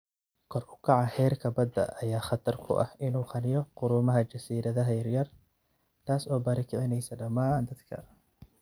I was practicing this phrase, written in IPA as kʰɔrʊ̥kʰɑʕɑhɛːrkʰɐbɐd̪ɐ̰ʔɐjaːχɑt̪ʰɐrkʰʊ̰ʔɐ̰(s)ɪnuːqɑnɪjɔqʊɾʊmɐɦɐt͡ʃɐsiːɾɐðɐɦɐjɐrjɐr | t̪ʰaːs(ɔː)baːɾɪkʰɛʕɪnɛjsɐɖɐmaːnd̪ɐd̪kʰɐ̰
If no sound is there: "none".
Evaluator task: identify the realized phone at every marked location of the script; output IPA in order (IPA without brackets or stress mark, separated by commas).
h, ɔː